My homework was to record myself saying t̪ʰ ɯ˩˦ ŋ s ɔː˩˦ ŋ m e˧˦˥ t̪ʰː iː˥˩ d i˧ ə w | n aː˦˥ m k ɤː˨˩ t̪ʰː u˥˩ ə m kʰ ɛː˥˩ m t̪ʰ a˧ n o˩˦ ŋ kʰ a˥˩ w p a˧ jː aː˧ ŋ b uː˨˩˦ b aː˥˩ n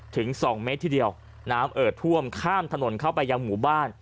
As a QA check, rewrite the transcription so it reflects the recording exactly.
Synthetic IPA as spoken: t̪ʰ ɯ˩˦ ŋ s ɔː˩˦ ŋ m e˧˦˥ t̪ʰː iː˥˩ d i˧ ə w | n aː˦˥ m ʔ ɤː˨˩ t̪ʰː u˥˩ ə m kʰ aː˥˩ m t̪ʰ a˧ n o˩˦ n kʰ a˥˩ w p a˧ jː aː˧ ŋ m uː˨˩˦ b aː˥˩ n